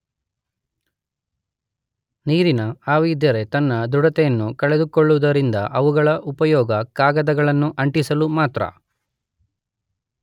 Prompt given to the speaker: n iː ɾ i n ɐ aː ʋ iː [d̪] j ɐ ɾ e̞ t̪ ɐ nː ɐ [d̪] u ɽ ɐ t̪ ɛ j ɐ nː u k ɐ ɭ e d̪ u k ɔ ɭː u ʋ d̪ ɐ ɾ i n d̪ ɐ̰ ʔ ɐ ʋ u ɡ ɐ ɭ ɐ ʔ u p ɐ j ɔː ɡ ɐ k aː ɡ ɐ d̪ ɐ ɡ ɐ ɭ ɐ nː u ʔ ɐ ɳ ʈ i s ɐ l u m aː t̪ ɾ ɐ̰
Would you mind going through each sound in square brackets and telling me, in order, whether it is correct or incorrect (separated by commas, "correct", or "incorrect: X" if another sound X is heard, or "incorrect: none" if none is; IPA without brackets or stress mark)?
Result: correct, correct